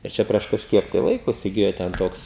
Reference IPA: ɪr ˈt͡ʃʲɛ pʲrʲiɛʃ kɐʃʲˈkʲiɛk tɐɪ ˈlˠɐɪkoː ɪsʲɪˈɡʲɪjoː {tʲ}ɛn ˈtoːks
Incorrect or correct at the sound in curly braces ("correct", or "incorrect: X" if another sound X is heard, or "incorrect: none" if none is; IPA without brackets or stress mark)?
correct